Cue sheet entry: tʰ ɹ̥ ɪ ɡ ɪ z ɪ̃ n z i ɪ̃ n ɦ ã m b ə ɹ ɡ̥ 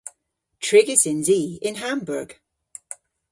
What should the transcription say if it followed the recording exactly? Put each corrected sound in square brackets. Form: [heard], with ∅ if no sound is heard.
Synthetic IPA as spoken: tʰ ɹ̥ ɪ ɡ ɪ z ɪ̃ n z i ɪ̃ n ɦ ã m b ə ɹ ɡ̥